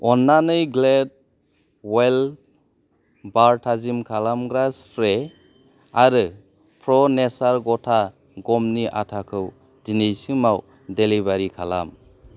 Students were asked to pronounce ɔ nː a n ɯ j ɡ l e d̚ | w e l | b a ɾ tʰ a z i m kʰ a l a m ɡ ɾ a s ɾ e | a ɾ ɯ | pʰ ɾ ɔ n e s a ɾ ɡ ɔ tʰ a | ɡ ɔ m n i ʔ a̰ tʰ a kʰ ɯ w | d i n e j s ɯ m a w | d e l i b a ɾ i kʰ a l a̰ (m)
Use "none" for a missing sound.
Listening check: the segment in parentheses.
m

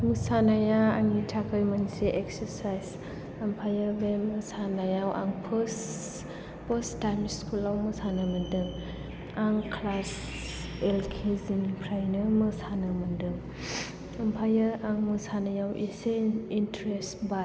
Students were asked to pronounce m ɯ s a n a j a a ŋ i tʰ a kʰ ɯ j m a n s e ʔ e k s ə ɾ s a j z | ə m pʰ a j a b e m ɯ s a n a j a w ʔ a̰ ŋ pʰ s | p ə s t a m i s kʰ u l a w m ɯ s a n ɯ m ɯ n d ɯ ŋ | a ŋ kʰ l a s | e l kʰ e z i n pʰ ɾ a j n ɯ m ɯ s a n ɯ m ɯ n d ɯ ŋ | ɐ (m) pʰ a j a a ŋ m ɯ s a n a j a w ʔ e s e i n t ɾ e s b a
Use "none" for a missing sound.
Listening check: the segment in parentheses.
m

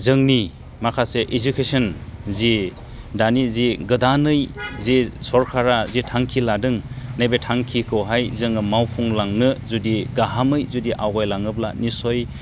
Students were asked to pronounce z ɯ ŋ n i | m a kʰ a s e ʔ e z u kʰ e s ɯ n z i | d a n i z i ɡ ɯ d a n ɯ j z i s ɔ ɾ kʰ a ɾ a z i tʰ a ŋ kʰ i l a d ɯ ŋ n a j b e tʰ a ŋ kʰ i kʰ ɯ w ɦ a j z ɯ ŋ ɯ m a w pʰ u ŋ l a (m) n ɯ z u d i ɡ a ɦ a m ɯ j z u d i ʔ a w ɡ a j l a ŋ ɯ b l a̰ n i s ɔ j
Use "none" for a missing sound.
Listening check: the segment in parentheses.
ŋ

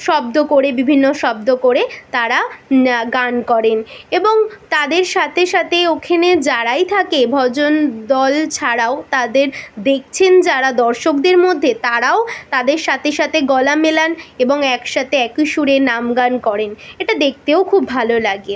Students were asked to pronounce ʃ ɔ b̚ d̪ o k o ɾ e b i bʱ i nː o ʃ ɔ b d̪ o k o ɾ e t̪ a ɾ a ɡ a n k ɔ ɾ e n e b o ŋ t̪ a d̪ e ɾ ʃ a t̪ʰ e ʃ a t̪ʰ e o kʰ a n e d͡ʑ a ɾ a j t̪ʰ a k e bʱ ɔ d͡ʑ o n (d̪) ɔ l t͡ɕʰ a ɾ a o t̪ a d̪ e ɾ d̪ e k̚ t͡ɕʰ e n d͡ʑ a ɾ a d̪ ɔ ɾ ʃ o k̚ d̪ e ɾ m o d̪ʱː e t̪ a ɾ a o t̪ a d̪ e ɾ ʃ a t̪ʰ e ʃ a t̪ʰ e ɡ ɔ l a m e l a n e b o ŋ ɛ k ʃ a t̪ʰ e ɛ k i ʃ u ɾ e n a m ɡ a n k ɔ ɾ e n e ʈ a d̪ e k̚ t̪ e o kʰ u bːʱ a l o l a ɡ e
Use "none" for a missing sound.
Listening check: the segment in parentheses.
d̪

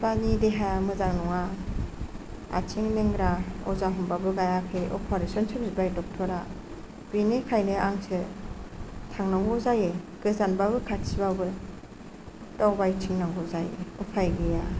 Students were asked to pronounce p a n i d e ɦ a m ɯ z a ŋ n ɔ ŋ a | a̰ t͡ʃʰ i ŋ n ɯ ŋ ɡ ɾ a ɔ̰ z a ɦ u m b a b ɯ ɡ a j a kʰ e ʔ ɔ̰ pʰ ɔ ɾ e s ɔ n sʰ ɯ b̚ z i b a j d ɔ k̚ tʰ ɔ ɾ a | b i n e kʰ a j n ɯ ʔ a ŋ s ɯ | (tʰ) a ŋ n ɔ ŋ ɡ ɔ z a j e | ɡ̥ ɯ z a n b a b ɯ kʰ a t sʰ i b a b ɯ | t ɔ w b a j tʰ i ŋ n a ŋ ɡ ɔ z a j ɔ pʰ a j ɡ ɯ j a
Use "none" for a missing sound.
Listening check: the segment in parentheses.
tʰ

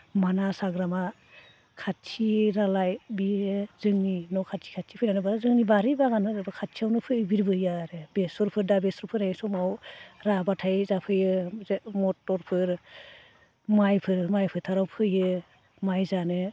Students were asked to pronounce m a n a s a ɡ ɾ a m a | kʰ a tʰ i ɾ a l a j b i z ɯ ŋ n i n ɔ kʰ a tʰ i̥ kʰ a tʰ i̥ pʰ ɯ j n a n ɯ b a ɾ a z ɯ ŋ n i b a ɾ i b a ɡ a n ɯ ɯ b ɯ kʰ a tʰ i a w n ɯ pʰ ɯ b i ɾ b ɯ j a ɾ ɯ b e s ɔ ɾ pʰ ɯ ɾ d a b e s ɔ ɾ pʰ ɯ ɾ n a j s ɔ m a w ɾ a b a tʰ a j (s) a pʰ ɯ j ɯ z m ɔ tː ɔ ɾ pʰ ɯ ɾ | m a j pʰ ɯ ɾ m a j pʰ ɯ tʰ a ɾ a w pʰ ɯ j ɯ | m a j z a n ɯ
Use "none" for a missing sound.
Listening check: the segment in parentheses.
z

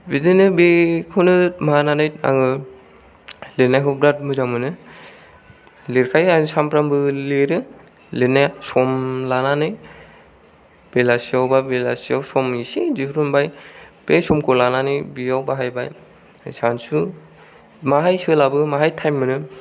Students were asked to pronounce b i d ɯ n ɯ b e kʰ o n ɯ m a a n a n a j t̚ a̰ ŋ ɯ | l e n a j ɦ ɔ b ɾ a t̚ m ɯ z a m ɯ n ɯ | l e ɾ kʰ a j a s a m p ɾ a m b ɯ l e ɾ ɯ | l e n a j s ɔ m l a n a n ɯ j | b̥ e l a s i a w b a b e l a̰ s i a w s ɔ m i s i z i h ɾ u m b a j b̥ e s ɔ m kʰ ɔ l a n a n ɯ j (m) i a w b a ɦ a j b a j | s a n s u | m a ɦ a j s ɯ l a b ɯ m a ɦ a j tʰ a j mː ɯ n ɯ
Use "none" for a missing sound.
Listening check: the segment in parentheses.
b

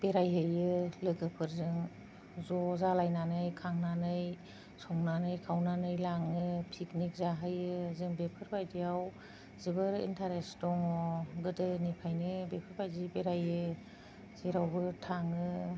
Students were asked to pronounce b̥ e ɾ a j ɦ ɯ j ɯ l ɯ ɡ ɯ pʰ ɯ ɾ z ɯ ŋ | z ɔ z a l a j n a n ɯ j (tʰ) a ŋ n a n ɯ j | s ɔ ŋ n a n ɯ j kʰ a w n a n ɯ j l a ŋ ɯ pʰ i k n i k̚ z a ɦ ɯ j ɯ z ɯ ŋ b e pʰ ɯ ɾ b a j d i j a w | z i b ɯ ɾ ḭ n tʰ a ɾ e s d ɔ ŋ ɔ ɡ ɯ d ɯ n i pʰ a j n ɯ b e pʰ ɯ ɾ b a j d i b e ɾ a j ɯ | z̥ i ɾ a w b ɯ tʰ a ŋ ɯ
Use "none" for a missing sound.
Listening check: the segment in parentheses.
kʰ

